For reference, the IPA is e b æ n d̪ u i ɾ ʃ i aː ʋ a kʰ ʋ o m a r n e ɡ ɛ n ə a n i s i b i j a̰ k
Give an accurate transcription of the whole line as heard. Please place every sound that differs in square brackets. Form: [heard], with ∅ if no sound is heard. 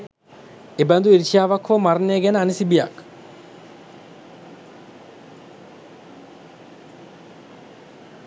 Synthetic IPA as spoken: e b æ n d̪ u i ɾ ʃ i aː ʋ a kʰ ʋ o m a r n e ɡ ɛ n ə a n i s i b i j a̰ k